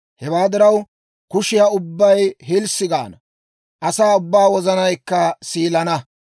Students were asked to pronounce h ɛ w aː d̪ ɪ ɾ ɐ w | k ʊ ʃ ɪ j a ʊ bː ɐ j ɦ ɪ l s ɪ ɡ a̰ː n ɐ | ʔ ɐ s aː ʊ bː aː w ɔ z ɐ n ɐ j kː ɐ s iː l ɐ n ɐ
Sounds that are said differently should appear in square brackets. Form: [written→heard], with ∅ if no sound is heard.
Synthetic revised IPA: h ɛ w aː d̪ ɪ ɾ ɐ w | k ʊ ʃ ɪ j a ʊ bː ɐ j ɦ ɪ l s ɪ ɡ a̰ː n ɐ | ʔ ɐ s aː ʊ bː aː w ɔ z ɐ n ɐ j kː ɐ s iː l ɐ n ɐ